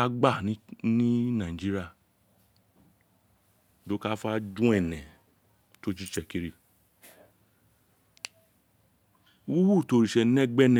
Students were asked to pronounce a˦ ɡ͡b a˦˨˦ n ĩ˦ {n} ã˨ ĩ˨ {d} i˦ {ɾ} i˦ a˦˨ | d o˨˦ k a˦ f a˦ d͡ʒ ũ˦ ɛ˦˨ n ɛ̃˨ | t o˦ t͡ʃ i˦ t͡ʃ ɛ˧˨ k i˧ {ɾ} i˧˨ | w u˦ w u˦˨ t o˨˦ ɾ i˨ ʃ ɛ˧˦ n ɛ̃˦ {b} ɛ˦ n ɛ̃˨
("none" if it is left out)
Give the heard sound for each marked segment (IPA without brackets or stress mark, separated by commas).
n, d͡ʒ, ɾ, ɾ, ɡ͡b